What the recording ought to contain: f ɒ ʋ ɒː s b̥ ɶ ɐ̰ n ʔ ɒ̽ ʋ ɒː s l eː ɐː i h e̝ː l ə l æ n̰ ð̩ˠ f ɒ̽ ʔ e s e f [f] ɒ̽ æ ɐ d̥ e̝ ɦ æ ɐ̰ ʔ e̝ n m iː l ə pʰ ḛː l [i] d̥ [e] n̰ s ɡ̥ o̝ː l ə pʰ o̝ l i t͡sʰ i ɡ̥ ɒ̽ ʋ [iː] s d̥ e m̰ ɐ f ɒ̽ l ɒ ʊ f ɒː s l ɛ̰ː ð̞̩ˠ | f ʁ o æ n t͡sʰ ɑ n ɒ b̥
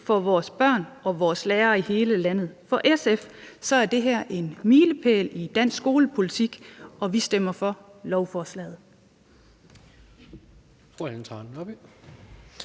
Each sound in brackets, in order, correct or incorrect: incorrect, correct, incorrect, incorrect

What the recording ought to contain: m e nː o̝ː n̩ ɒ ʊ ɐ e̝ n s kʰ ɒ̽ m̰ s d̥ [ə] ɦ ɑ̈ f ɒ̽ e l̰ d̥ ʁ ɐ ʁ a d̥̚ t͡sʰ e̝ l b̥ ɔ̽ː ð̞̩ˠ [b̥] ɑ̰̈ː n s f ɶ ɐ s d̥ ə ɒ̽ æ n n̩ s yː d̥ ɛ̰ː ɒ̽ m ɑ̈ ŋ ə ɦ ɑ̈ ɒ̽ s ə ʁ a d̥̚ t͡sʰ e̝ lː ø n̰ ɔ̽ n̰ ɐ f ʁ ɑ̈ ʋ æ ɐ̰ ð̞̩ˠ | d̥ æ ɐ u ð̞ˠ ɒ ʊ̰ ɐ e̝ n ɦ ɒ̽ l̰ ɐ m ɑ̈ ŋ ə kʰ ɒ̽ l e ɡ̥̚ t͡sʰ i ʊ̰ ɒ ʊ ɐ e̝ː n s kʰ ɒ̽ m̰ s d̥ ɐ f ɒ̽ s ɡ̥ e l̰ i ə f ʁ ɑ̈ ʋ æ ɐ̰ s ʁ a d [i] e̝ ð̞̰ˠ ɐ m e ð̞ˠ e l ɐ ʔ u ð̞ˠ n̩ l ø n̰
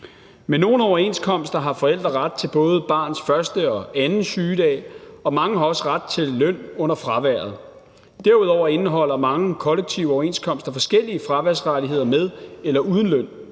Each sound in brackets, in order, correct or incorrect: incorrect, correct, correct

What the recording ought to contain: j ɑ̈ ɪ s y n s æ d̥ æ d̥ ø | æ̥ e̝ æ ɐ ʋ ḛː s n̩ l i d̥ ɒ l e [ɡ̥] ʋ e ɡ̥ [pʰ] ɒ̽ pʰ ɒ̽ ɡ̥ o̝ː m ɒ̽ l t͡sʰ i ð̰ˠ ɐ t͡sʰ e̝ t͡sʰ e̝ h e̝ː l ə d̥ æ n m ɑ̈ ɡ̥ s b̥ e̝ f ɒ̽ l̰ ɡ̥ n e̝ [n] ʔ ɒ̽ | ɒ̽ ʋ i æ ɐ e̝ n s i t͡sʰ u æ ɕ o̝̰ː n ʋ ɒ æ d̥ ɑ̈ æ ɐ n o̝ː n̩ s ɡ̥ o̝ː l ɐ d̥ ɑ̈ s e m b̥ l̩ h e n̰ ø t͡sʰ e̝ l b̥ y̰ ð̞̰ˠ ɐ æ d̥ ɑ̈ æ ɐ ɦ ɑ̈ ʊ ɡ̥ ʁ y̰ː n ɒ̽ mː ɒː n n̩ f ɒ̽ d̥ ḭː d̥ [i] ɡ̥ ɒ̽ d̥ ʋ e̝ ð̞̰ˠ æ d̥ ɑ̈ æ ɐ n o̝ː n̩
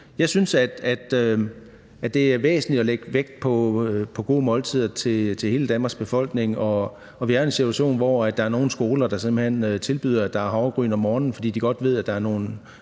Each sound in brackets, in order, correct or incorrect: correct, correct, incorrect, correct

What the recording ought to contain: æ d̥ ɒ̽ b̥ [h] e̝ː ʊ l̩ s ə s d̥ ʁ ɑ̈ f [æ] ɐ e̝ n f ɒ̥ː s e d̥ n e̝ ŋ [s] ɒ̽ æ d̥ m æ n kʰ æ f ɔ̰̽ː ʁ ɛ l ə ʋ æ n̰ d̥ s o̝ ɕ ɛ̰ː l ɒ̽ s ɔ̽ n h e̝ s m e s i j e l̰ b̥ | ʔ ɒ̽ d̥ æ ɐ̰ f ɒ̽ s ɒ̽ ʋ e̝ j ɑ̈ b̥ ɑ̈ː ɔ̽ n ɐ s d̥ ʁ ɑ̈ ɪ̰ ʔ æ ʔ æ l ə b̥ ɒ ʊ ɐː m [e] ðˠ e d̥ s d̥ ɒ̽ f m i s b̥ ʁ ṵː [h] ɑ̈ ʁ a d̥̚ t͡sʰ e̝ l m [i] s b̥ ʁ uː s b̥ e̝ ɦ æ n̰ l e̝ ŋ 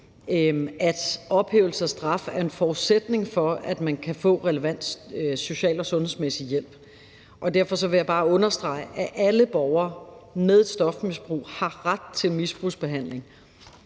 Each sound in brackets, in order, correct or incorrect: correct, correct, incorrect, correct, correct, correct

